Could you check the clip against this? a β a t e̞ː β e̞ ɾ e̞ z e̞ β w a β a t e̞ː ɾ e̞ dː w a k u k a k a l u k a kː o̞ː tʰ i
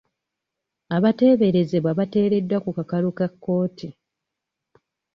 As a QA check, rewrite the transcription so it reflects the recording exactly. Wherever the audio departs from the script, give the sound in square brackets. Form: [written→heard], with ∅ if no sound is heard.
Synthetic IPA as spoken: a β a t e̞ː β e̞ ɾ e̞ z e̞ β w a β a t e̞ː ɾ e̞ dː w a k u k a k a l u k a kː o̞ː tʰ i

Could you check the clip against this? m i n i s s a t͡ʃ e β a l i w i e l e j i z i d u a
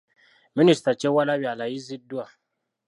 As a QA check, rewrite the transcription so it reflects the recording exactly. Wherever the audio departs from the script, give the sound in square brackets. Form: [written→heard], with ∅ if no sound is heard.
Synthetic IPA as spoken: m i n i s [s→t] a t͡ʃ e [β→w] a l [i→a] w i [e→a] l [e→a] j i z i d u a

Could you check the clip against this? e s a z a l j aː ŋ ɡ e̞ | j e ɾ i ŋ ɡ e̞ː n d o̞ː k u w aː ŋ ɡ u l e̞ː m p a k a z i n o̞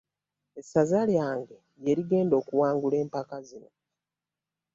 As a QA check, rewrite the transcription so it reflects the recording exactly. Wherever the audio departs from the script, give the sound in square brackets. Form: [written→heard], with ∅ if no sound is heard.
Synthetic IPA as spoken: e s a z a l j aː ŋ ɡ e̞ | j e ɾ i [ŋ→∅] ɡ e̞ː n d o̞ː k u w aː ŋ ɡ u l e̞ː m p a k a z i n o̞

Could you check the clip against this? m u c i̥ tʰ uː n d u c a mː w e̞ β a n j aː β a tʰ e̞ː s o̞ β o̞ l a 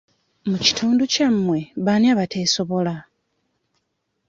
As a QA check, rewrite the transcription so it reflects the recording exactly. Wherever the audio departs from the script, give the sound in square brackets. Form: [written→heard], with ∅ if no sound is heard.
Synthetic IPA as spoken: m u c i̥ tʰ uː n d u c a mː w e̞ β a n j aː β a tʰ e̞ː s o̞ β o̞ l a

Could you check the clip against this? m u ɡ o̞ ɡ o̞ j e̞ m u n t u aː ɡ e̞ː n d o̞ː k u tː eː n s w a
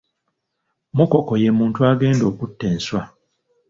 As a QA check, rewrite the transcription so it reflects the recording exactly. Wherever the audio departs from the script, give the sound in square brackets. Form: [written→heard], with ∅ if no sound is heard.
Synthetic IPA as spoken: m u [ɡ→k] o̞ [ɡ→k] o̞ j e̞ m [u→uː] n t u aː ɡ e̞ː n d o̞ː k u tː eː n s w a

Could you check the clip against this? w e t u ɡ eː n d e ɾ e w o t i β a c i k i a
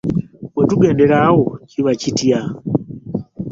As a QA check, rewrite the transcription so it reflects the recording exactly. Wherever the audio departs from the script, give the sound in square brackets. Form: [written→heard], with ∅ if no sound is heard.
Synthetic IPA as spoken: w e t u ɡ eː n d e ɾ [e→a] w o [t→c] i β a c i [k→t] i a

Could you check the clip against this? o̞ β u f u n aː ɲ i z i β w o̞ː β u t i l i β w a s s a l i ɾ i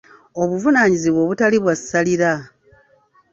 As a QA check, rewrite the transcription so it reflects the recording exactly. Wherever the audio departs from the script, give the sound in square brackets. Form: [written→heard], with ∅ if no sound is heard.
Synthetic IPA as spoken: o̞ β u [f→v] u n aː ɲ i z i β w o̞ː β u t [i→a] l i β w a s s a l i ɾ [i→a]

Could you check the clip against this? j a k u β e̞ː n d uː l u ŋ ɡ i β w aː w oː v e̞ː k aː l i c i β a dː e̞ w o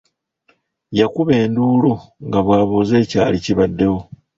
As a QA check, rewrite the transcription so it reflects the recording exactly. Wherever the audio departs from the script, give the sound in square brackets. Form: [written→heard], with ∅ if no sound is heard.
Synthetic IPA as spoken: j a k u β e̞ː n d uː l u ŋ ɡ [i→a] β w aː [w→β] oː [v→z] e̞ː [k→c] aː l i c i β a dː e̞ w o

